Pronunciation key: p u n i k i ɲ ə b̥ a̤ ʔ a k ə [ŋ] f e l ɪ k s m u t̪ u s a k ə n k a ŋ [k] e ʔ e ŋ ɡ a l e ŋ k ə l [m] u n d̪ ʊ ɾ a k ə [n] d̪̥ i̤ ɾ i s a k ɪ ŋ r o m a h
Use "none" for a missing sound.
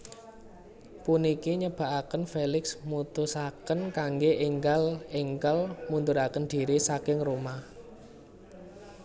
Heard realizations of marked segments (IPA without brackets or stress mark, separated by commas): n, ɡ, m, n